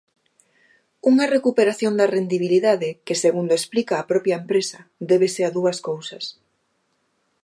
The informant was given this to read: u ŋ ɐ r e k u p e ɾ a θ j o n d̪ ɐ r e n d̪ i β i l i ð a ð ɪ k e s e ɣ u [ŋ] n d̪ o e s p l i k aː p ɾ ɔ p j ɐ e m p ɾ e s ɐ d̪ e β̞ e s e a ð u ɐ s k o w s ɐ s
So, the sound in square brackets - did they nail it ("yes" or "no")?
no